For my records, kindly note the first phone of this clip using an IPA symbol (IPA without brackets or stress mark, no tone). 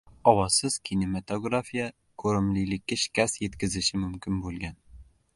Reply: ɒ